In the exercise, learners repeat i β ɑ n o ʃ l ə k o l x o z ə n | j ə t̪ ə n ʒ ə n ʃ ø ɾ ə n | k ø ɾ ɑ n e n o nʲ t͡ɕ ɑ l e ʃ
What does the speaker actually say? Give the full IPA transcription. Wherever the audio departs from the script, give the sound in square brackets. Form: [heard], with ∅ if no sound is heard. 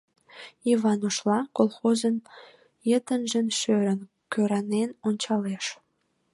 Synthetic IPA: i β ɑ n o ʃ l [ɑ] k o l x o z ə n | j ə t̪ ə n ʒ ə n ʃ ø ɾ ə n | k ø ɾ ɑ n e n o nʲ t͡ɕ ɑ l e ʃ